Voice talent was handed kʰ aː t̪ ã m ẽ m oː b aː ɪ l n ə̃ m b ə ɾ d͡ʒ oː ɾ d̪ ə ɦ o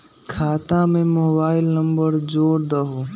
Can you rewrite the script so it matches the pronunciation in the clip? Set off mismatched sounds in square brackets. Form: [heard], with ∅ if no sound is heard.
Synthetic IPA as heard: kʰ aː t̪ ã m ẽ m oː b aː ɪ l n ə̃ m b ə ɾ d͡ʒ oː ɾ d̪ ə ɦ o

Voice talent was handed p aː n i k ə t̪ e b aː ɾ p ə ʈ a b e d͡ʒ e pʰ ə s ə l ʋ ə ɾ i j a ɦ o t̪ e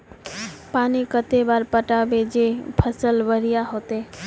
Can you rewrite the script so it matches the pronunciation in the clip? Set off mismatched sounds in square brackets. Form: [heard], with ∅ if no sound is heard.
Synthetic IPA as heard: p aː n i k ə t̪ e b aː ɾ p ə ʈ a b e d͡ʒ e pʰ ə s ə l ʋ ə ɾ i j a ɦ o t̪ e

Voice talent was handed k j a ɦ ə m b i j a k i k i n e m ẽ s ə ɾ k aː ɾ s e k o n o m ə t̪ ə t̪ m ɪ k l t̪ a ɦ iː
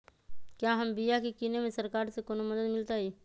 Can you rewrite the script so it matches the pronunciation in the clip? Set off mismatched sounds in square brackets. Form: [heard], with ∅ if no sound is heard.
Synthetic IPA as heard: k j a ɦ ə m b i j a k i k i n e m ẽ s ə ɾ k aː ɾ s e k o n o m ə [d̪] ə [d̪] m ɪ [∅] l t̪ a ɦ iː

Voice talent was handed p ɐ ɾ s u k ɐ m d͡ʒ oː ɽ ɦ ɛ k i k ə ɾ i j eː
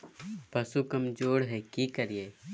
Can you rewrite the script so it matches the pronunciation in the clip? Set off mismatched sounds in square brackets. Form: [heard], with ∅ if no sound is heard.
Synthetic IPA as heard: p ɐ [∅] s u k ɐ m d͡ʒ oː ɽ ɦ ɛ k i k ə ɾ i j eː

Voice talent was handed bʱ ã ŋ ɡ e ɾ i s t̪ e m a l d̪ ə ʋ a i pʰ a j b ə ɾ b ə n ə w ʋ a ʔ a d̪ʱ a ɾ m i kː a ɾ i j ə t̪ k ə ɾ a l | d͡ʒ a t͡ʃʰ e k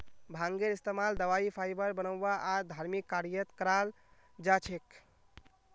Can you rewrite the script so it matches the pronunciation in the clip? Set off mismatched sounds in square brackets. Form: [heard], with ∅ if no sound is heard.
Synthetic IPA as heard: bʱ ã ŋ ɡ e ɾ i s t̪ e m a l d̪ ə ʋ a i pʰ a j b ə ɾ b ə n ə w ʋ a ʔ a d̪ʱ a ɾ m i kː a ɾ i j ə t̪ k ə ɾ a l | d͡ʒ a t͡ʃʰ e k

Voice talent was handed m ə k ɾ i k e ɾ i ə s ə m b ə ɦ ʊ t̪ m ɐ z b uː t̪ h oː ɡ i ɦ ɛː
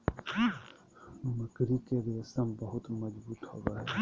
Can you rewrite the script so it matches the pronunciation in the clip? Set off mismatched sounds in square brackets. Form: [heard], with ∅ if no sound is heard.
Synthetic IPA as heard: m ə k ɾ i k e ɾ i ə s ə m b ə ɦ ʊ t̪ m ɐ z b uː t̪ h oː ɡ [a] ɦ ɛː

